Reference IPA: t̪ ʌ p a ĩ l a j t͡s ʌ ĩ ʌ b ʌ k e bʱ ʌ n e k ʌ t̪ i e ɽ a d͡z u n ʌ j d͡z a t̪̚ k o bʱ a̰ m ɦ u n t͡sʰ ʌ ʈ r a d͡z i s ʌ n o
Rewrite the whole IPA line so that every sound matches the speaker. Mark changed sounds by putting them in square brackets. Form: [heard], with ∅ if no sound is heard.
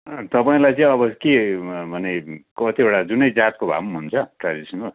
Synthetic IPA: t̪ ʌ p a ĩ l a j t͡s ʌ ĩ ʌ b ʌ k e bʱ ʌ n e k ʌ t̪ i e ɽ a d͡z u n ʌ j d͡z a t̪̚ k o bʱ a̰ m ɦ u n t͡sʰ ʌ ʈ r a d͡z i s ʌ n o